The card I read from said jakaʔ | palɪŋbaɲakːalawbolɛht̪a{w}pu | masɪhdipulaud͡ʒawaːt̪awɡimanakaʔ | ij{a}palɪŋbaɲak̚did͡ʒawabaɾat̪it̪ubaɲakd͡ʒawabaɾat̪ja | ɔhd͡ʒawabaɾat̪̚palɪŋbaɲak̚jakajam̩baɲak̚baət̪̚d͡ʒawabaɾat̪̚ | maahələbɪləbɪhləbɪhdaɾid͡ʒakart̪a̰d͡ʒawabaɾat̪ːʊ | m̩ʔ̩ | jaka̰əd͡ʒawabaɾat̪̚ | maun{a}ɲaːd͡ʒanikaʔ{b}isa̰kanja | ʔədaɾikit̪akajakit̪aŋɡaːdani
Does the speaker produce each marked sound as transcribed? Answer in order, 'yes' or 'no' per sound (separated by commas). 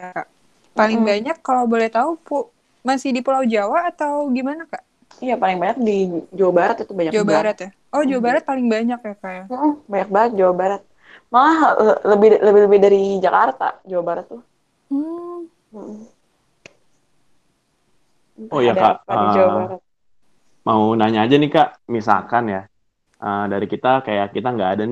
no, yes, yes, no